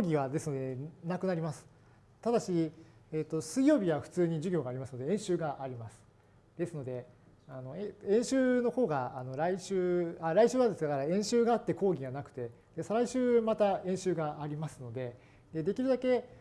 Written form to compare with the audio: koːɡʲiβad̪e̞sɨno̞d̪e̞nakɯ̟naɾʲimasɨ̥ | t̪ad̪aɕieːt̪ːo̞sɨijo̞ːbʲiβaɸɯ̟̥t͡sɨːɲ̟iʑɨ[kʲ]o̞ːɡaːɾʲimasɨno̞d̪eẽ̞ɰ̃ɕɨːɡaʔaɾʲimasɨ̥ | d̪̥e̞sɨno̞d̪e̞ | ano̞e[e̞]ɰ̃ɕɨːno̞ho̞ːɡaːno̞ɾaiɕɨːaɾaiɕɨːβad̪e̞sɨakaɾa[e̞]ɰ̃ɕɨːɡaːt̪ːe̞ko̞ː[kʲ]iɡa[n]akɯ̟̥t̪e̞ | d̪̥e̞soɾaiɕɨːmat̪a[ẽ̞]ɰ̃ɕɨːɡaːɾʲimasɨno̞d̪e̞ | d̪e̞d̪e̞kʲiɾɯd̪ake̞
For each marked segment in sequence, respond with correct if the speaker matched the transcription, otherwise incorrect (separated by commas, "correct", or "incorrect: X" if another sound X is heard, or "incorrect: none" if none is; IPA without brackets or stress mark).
incorrect: ɡʲ, incorrect: ẽ̞, incorrect: ẽ̞, incorrect: ɡʲ, correct, correct